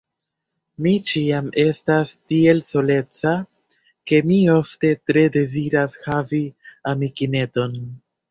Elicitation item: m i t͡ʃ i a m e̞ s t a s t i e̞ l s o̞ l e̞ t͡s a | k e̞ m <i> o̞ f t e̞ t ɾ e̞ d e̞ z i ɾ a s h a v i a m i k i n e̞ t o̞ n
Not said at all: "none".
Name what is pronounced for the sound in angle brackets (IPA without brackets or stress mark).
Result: i